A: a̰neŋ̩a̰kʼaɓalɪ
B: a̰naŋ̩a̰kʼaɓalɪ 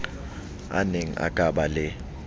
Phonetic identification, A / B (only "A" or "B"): A